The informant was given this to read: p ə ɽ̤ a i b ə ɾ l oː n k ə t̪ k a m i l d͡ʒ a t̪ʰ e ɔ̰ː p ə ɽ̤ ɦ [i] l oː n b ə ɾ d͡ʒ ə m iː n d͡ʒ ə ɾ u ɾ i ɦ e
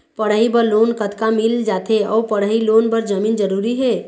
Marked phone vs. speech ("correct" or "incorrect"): correct